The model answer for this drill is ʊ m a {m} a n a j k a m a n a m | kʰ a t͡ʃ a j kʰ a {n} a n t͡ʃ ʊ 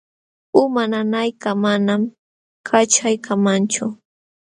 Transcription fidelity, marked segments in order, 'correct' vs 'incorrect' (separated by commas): incorrect, incorrect